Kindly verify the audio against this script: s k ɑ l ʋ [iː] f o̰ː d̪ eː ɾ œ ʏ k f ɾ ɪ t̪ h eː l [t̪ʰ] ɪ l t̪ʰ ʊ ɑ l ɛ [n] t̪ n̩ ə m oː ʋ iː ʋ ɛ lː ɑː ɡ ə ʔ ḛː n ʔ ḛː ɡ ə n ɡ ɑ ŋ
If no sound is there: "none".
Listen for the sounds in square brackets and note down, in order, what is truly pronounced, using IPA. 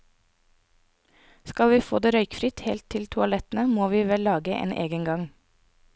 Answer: iː, t̪ʰ, none

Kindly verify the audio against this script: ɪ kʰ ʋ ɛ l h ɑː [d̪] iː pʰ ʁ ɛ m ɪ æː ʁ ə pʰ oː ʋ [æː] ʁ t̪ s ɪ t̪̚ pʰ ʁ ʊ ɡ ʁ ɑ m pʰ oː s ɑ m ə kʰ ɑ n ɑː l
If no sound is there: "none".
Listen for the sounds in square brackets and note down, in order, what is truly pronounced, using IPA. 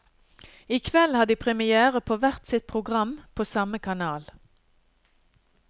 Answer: d̪, æ

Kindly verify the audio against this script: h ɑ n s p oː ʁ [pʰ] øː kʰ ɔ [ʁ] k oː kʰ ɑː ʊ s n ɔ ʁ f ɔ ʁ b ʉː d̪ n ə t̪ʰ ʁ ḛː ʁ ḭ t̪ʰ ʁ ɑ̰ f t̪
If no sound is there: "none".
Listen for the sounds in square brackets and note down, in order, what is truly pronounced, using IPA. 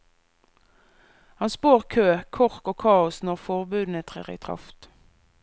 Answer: kʰ, ʁ

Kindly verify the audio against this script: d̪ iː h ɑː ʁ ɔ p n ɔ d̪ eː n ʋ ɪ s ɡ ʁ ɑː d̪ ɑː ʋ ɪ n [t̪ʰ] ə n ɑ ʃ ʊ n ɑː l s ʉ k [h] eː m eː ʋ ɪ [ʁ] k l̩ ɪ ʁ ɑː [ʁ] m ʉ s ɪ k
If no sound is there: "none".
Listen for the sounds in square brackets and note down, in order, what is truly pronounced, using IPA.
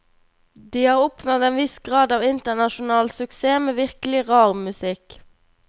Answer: t̪, s, ʁ, ʁ

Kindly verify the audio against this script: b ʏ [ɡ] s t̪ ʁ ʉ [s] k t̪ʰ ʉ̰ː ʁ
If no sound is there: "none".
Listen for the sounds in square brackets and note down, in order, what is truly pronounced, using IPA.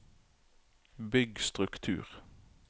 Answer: ɡ, none

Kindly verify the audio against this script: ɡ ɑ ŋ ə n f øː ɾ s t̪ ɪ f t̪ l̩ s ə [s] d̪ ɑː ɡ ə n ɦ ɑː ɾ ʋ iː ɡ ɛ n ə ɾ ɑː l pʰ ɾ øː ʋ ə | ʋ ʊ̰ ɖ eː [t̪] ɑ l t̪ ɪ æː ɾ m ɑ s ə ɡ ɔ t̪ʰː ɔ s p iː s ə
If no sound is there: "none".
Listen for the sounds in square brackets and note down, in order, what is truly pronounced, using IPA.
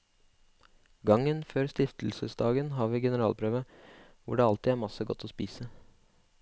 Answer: s, none

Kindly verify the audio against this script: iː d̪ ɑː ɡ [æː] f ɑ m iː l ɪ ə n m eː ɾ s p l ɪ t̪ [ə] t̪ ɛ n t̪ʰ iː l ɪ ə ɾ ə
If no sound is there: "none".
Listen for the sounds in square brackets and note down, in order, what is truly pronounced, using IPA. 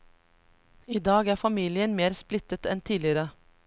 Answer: æː, ə

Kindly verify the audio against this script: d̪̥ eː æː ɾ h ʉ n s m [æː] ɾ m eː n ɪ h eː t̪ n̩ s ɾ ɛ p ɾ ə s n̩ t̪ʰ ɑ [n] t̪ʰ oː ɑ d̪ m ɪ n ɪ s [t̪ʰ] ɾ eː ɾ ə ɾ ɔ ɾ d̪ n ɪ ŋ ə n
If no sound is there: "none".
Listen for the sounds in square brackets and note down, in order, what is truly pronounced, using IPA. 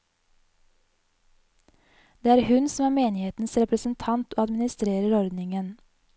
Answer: æː, n, t̪

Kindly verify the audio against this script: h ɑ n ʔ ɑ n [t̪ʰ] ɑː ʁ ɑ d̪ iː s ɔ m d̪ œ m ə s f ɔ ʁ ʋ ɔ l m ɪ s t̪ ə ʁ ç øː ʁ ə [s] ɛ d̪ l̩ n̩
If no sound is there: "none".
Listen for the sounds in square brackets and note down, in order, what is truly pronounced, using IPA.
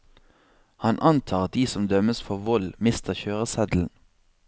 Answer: t̪ʰ, s

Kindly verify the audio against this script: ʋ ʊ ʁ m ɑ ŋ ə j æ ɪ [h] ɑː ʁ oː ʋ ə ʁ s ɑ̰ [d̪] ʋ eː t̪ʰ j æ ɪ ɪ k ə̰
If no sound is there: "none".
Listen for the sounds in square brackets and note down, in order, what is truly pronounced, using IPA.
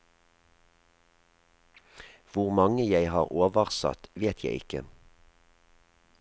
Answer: h, t̪

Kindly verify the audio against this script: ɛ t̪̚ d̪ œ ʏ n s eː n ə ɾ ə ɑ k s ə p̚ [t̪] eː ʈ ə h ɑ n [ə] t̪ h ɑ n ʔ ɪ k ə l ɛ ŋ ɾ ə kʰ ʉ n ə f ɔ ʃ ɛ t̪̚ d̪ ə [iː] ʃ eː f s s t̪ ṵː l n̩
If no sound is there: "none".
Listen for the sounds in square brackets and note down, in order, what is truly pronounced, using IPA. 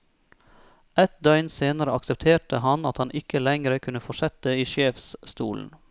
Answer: t̪ʰ, ɑ, iː

